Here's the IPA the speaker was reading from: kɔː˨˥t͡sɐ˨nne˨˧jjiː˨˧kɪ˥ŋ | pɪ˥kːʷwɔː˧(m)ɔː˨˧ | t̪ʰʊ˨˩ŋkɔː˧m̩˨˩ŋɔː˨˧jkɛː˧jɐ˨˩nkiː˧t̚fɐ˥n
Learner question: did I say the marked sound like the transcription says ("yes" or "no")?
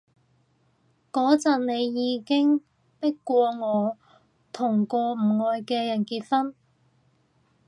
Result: no